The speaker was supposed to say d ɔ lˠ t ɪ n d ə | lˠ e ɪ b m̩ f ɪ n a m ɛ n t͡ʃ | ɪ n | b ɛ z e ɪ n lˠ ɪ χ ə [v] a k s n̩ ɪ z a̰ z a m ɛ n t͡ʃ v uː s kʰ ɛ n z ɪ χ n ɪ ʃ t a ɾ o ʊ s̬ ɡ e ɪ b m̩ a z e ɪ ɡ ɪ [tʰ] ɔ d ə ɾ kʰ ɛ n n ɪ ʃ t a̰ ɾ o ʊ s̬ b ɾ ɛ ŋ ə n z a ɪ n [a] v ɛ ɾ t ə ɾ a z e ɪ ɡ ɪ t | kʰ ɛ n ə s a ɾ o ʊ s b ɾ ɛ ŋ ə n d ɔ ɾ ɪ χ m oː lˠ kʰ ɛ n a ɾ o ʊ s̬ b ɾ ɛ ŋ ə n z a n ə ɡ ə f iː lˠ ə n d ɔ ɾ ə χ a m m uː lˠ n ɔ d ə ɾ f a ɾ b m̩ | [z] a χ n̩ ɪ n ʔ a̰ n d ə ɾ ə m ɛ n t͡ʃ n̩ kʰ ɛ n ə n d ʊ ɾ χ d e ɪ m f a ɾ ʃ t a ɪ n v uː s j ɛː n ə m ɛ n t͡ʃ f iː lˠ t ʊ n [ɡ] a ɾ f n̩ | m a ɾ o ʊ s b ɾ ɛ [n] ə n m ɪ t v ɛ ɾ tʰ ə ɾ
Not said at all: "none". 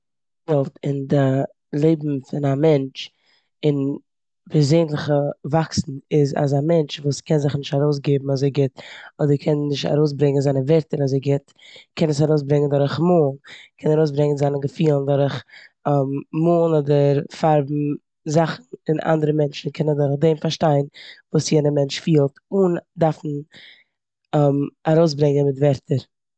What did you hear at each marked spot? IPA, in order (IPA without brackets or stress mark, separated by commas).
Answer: v, t, ə, z, d, ŋ